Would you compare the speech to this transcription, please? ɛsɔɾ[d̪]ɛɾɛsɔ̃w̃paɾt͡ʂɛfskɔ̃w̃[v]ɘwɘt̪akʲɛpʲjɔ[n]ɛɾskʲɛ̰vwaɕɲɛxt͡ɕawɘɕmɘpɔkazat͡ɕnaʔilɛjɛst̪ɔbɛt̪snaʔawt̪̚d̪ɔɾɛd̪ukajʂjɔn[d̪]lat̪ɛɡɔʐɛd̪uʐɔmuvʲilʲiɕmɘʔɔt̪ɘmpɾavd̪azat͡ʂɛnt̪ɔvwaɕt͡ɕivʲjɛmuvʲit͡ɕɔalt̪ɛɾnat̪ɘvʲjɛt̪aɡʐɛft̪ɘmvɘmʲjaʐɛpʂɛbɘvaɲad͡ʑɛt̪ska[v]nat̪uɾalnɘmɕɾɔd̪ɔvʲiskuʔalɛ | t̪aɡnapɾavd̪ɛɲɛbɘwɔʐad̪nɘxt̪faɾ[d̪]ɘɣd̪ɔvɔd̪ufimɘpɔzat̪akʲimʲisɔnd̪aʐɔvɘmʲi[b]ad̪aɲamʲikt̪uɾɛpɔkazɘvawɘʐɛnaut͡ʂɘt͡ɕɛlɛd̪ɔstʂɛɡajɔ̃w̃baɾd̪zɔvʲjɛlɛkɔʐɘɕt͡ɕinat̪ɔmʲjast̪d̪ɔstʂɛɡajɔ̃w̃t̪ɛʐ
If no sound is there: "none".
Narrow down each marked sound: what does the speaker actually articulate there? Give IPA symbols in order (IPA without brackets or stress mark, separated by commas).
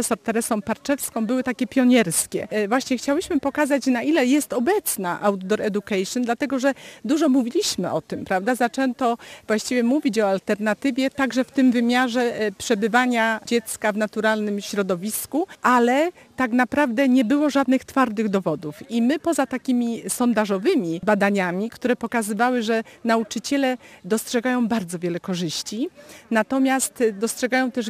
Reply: t̪, b, ɲ, d̪, v, d̪, b